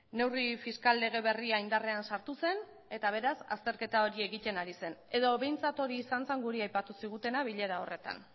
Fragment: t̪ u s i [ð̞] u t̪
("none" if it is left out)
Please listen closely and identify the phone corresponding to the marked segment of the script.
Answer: ɣ̞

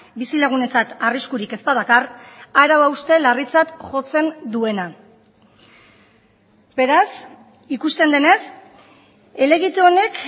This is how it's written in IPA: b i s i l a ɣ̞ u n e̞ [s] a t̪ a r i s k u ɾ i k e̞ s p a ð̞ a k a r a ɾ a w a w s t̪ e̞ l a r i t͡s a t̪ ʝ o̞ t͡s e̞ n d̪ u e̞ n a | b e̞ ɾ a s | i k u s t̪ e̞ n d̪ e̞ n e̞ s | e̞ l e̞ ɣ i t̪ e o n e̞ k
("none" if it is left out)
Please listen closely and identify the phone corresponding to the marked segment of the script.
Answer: t͡s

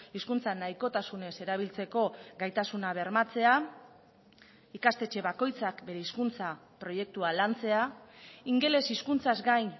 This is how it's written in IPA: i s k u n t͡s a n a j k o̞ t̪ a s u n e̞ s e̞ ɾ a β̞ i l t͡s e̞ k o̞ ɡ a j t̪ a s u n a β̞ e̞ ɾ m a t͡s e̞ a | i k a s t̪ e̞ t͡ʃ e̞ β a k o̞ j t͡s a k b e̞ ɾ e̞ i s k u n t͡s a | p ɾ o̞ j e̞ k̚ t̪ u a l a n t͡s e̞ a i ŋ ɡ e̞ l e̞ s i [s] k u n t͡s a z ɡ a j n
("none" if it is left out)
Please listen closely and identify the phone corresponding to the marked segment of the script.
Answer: s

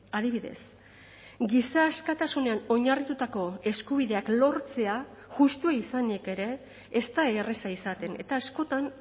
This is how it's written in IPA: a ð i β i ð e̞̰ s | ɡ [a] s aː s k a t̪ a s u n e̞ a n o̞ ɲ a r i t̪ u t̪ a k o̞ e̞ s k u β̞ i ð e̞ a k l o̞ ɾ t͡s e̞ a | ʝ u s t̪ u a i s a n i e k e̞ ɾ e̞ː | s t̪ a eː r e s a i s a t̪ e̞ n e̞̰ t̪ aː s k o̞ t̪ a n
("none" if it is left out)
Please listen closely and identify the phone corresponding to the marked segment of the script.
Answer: i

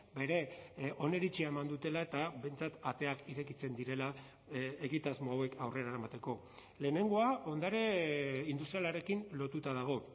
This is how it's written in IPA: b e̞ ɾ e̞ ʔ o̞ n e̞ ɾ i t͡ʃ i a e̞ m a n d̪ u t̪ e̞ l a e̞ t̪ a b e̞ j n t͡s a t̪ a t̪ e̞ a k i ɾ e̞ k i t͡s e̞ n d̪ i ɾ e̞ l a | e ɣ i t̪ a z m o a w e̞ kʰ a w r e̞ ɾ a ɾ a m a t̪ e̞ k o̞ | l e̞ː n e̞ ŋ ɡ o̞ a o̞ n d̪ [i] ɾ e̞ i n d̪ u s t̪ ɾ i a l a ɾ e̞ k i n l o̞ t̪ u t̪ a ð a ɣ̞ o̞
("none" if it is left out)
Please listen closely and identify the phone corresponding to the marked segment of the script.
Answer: a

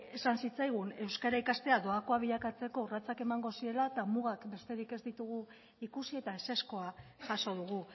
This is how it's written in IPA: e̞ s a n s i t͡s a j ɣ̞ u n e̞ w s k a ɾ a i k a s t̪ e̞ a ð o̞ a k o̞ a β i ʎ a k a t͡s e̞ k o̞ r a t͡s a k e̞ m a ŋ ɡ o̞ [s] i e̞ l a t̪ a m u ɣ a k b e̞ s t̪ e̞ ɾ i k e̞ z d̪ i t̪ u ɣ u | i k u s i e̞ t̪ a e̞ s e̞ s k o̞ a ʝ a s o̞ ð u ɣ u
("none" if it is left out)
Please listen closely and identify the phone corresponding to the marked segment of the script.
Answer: s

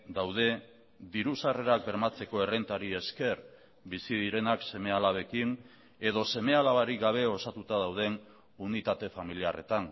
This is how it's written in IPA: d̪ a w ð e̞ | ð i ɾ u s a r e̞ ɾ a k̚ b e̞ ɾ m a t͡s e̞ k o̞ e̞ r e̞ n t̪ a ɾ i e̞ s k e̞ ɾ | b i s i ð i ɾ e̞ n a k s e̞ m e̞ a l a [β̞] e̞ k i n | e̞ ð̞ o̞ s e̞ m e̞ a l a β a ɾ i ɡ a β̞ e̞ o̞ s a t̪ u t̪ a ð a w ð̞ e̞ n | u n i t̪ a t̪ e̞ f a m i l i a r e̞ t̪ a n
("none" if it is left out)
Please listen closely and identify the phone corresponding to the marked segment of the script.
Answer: β̞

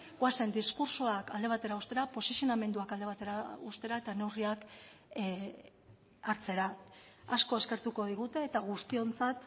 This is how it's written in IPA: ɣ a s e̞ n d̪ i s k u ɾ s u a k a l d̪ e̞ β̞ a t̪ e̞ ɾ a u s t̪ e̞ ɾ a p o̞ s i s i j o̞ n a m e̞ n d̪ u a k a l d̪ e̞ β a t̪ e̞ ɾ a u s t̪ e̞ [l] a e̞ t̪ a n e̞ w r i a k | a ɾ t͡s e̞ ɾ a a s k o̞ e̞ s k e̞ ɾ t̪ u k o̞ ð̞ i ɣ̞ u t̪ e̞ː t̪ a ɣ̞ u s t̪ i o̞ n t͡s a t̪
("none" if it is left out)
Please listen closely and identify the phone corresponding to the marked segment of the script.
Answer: ɾ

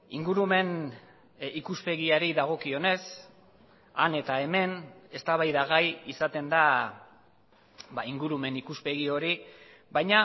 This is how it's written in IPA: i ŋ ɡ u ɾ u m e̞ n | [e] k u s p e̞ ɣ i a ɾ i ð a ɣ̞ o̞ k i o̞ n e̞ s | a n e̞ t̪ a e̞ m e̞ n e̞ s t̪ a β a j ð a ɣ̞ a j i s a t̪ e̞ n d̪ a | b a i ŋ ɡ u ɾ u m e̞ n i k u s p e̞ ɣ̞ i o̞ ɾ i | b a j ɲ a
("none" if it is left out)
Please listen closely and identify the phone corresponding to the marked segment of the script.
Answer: i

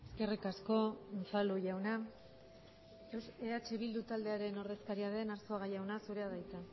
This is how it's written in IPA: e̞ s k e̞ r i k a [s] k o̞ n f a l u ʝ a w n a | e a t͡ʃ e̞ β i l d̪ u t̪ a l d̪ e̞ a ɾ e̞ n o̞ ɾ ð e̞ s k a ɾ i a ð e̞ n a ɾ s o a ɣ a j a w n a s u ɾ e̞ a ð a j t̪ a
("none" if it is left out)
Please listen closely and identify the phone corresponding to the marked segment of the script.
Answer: s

